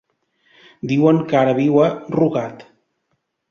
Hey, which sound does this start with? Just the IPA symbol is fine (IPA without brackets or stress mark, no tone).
d̪